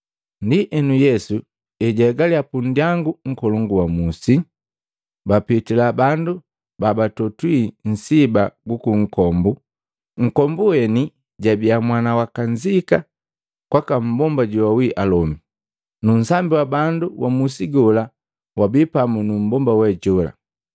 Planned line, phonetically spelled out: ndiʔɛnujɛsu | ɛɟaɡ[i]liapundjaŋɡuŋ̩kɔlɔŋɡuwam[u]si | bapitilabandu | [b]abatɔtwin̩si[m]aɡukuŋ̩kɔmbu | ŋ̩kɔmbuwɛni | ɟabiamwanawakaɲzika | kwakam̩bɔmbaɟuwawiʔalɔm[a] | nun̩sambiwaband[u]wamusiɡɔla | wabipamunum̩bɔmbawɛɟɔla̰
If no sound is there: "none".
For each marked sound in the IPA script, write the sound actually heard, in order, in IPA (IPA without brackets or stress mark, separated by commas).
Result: a, u, b, b, i, u